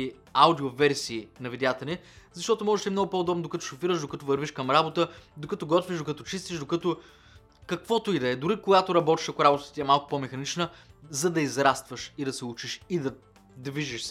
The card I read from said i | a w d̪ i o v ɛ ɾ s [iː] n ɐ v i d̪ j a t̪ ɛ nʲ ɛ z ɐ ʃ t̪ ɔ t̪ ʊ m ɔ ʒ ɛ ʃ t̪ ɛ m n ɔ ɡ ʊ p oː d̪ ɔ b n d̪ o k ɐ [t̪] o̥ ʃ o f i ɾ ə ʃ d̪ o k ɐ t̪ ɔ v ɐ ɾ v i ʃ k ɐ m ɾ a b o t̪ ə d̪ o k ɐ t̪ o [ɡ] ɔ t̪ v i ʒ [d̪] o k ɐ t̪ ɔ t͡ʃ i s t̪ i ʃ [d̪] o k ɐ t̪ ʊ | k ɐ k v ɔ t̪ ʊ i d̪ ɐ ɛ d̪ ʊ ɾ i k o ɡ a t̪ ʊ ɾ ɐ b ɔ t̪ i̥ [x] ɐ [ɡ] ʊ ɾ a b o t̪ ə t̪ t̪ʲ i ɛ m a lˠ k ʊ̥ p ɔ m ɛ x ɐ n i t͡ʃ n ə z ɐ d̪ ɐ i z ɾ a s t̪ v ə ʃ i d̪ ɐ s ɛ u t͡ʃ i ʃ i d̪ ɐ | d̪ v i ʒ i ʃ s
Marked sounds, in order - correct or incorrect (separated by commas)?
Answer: correct, correct, correct, correct, correct, incorrect, incorrect